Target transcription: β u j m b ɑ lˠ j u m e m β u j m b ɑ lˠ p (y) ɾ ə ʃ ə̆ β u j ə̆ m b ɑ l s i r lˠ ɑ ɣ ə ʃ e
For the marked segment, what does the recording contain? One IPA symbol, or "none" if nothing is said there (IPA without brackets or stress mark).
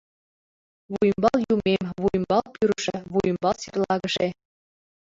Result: y